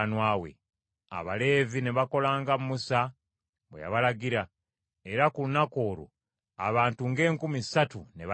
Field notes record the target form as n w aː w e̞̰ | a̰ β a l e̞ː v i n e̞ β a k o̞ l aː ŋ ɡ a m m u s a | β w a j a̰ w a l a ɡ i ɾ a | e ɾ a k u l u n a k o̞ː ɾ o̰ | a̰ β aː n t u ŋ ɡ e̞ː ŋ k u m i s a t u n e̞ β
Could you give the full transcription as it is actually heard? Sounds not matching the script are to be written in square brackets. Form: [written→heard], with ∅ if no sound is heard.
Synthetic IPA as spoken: n w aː w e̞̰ | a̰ β a l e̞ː v i n e̞ β a k o̞ l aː ŋ ɡ a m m u s a | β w [a→e] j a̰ [w→β] a l a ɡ i ɾ a | e ɾ a k u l u n a k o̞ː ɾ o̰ | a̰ β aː n t u ŋ ɡ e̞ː ŋ k u m i s a t u n e̞ β